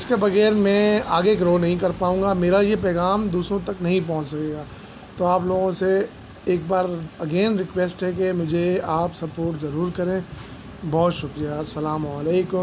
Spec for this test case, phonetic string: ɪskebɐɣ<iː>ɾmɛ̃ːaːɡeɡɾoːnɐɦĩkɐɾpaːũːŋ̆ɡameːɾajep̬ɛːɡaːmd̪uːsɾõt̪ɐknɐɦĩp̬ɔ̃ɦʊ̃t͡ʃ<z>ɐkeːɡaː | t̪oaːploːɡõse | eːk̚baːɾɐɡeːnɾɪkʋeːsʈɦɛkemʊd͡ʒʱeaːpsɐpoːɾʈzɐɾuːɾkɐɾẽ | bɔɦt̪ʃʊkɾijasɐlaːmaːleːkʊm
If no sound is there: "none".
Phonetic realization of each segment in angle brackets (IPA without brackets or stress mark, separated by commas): ɛː, s